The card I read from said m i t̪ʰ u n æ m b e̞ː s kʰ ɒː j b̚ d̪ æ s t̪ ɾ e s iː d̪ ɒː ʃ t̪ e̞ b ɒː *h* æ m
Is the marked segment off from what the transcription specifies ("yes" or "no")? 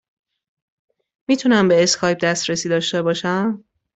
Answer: yes